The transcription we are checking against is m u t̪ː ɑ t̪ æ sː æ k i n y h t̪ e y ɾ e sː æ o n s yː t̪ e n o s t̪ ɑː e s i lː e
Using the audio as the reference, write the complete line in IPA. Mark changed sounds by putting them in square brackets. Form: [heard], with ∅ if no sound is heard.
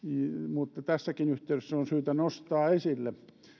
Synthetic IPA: m u t̪ː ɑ t̪ æ sː æ k i n y h t̪ e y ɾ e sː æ o n s yː t̪ [æ] n o s t̪ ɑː e s i lː e